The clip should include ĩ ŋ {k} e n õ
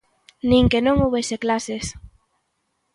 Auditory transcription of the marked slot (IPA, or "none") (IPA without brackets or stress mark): k